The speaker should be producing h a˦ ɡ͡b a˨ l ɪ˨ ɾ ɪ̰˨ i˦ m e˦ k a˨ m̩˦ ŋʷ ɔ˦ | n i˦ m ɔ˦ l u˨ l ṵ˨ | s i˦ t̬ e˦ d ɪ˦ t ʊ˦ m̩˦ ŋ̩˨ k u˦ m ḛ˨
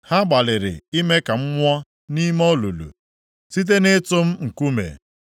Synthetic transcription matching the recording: h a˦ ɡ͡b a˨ l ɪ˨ ɾ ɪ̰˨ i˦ m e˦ k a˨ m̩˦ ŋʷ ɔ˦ | n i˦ m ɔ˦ l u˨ l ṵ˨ | s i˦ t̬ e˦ n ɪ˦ t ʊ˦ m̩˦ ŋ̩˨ k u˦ m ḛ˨